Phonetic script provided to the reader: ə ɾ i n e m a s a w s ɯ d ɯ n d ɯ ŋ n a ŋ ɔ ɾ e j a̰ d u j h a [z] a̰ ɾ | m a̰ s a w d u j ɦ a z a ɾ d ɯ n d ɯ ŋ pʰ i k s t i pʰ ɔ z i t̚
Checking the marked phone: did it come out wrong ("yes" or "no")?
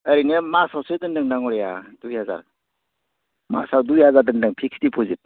no